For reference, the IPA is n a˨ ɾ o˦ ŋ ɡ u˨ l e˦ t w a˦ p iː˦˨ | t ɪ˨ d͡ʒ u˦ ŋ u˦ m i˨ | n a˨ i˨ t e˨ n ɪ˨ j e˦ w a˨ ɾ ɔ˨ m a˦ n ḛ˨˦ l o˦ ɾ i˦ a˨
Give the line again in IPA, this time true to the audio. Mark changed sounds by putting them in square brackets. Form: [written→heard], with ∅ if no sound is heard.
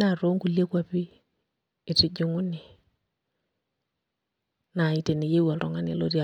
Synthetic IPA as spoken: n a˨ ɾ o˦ ŋ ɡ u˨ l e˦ [t→k] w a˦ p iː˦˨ | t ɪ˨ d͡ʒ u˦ ŋ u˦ [m→n] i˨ | n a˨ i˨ t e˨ n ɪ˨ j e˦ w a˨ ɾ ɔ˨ [m→ŋ] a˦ n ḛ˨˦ l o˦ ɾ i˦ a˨